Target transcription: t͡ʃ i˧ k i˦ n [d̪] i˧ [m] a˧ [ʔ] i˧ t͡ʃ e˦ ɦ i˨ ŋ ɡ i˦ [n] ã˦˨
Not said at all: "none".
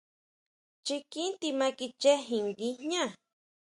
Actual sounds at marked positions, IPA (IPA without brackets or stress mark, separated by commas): t̪, m, k, ɲ